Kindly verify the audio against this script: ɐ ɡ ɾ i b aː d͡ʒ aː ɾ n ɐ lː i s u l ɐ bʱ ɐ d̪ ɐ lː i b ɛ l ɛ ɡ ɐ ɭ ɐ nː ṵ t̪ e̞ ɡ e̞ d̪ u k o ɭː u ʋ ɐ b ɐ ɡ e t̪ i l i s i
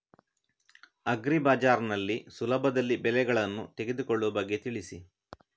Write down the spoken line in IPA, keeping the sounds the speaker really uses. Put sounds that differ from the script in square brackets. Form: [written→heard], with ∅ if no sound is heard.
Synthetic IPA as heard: ɐ ɡ ɾ i b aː d͡ʒ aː ɾ n ɐ lː i s u l ɐ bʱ ɐ d̪ ɐ lː i b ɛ l ɛ ɡ ɐ ɭ ɐ nː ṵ t̪ e̞ ɡ e̞ d̪ u k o ɭː u ʋ ɐ b ɐ [ɡ→ɡː] e t̪ i [l→ɭ] i s i